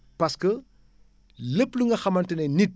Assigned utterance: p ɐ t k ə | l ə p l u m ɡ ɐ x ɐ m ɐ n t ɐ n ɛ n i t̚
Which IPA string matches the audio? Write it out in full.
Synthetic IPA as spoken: p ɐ s k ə | l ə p l u ŋ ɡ ɐ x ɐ m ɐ n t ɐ n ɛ n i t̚